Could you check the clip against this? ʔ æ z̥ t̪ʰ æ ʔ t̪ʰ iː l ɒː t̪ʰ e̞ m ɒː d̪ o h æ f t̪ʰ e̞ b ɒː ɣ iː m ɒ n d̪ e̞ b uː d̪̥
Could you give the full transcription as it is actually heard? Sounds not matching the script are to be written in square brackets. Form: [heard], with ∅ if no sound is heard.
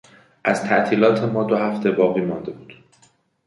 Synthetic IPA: ʔ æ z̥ t̪ʰ æ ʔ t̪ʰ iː l ɒː t̪ʰ e̞ m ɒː d̪ o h æ f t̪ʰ e̞ b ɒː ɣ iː m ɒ n d̪ e̞ b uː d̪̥